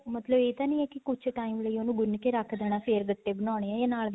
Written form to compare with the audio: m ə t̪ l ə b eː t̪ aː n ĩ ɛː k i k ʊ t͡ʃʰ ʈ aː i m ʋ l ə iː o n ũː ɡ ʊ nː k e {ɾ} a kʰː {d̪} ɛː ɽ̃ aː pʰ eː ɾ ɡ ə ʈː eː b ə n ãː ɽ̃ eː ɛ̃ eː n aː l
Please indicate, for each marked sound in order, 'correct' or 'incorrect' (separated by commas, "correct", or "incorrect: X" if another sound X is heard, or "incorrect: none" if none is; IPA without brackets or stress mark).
correct, correct